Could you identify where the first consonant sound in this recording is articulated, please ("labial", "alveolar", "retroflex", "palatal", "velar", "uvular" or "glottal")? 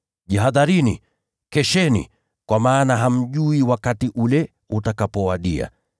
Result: palatal